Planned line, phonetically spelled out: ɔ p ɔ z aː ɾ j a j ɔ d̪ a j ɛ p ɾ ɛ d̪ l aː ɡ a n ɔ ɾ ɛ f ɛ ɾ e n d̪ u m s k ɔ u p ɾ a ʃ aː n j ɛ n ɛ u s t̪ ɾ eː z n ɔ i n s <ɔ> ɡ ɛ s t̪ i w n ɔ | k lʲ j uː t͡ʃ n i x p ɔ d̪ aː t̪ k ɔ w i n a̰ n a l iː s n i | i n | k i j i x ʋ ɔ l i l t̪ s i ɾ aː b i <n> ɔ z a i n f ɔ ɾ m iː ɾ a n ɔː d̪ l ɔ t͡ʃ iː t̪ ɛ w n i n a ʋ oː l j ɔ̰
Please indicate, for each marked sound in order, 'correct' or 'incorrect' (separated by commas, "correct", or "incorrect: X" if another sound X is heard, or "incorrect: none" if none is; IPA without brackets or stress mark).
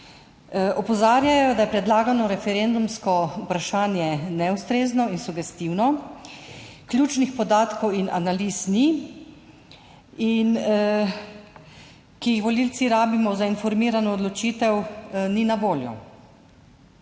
incorrect: u, incorrect: m